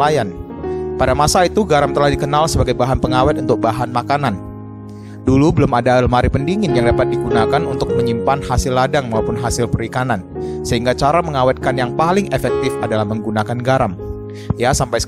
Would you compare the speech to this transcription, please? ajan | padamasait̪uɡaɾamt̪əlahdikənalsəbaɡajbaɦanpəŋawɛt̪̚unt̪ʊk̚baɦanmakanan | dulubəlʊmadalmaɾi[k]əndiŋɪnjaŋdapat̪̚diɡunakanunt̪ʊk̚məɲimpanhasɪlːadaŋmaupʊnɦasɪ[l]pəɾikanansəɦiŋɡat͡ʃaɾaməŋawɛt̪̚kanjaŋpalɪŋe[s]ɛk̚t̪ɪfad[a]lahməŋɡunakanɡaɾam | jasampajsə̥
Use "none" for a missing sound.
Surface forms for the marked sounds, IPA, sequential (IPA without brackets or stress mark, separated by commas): p, l, f, a